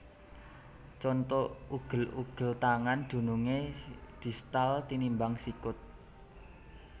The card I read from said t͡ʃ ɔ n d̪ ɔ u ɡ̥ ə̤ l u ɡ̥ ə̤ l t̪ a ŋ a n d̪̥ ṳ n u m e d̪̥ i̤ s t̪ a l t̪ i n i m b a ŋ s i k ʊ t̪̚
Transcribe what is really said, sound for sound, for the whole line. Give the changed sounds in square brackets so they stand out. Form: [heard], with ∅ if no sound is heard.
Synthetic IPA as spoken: t͡ʃ ɔ n [t̪] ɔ u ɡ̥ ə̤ l u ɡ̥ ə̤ l t̪ a ŋ a n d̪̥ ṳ n u [ŋ] e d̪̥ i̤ s t̪ a l t̪ i n i m b a ŋ s i k ʊ t̪̚